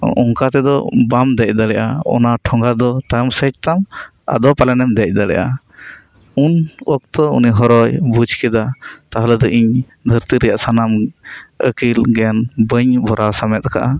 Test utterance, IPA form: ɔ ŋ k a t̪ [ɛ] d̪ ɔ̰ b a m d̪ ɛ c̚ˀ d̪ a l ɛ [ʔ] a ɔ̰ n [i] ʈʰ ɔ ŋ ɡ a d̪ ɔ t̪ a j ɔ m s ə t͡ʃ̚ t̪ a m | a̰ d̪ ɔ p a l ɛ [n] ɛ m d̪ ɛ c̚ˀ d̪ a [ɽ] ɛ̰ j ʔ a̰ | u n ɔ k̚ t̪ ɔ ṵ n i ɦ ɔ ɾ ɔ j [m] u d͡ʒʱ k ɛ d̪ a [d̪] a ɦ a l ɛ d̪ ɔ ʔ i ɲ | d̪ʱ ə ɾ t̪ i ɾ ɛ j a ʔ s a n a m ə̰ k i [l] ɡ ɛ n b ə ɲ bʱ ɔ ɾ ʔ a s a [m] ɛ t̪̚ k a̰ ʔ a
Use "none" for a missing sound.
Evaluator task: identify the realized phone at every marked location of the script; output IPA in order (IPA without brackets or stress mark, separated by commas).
ɛ, ʔ, a, n, l, b, t̪, l, m